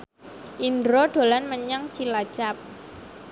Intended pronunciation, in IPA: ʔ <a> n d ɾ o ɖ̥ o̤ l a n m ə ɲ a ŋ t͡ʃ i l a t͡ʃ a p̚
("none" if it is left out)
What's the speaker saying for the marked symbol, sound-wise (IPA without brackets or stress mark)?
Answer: i